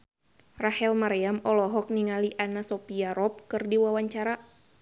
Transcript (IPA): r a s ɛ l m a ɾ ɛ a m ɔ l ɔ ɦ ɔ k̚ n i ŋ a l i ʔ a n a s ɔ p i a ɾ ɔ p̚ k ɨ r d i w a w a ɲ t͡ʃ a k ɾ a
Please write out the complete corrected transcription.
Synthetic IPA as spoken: r a h ɛ l m a ɾ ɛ a m ɔ l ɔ ɦ ɔ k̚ n i ŋ a l i ʔ a n a s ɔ p i a ɾ ɔ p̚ k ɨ r d i w a w a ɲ t͡ʃ a ɾ a